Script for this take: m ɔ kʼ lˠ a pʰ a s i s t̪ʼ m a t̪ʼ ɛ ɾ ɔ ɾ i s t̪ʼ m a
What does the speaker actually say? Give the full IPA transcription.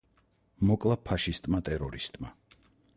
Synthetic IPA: m ɔ kʼ lˠ a pʰ a ʃ i s t̪ʼ m a t̪ʼ ɛ ɾ ɔ ɾ i s t̪ʼ m a